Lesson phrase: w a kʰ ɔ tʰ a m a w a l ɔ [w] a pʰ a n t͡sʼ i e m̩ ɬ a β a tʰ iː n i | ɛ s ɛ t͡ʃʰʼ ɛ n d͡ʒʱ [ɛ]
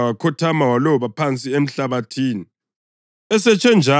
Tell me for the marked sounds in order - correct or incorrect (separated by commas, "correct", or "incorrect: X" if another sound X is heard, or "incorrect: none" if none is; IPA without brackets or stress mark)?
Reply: incorrect: β, incorrect: a